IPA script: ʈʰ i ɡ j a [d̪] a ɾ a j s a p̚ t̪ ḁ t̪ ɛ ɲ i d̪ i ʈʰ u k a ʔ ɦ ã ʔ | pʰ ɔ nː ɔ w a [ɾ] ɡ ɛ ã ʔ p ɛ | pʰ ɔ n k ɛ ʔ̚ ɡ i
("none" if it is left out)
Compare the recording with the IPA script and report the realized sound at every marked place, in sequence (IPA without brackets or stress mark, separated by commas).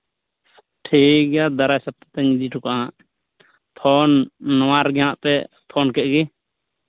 d̪, ɾ